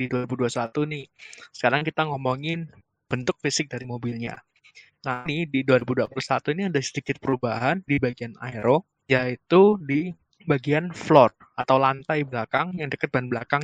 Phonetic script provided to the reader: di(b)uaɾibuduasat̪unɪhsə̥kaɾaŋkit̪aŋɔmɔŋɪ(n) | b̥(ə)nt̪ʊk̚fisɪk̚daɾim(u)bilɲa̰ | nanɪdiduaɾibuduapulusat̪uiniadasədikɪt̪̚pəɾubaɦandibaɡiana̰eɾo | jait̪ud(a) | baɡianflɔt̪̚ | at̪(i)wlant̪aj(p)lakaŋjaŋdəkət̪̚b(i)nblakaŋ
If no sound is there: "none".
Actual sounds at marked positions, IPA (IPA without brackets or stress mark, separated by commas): d, n, ə, o, i, a, b, a